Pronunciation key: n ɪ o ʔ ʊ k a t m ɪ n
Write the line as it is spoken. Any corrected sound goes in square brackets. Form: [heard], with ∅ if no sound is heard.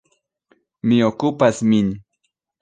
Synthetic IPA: [m] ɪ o [k] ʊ [p] a [s] m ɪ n